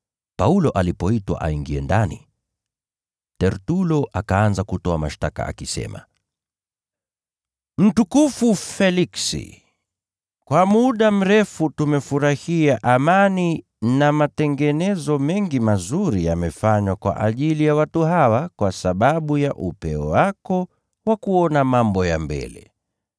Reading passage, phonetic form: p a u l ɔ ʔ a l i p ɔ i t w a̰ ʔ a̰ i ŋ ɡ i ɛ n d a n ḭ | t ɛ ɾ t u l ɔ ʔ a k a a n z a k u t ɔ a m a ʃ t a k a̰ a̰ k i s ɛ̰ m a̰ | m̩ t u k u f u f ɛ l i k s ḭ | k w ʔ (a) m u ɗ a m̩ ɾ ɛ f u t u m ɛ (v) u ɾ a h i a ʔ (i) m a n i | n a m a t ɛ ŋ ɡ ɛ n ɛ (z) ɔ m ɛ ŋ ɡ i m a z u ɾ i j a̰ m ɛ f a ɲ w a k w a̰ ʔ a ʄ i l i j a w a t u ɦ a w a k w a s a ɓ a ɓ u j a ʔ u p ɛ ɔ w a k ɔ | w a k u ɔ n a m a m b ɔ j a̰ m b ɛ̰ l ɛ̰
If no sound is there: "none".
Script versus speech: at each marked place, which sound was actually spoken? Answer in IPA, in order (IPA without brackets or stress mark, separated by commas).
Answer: a, f, a, z